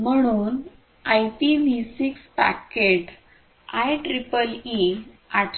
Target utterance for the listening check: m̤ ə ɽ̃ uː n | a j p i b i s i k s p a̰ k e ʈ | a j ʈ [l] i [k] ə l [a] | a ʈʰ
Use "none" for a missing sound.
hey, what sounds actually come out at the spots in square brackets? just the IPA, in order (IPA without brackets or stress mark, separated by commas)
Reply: ɾ, p, i